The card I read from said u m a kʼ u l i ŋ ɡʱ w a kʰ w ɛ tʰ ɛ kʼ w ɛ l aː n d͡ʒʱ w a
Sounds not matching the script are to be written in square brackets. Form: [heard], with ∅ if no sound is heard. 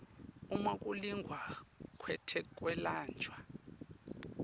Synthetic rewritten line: u m a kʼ u l i ŋ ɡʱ w a kʰ w ɛ tʰ ɛ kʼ w ɛ l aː n d͡ʒʱ w a